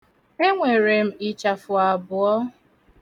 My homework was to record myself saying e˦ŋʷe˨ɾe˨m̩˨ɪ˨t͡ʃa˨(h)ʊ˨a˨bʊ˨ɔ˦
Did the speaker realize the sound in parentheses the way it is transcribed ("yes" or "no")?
no